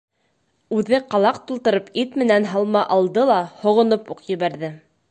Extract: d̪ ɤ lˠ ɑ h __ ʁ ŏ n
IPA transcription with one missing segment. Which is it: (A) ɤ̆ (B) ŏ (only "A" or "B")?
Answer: B